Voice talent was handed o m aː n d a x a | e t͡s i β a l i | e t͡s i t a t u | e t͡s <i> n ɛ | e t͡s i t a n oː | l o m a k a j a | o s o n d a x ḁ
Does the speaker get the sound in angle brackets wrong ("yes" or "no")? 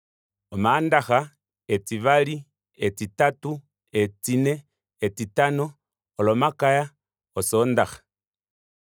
no